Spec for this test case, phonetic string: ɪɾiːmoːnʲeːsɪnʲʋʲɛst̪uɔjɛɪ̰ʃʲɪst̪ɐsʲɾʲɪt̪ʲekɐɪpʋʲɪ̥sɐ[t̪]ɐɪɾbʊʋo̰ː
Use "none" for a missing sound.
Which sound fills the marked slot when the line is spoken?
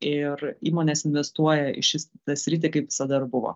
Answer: d̪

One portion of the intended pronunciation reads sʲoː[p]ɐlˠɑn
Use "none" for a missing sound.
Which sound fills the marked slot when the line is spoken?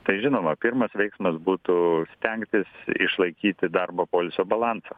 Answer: b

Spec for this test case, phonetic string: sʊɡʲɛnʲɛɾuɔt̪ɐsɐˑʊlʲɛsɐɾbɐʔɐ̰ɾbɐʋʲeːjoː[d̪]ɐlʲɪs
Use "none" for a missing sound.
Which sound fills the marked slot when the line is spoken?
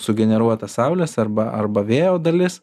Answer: d̪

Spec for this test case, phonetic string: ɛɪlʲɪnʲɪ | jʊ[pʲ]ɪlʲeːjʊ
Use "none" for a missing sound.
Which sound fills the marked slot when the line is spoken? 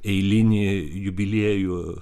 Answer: bʲ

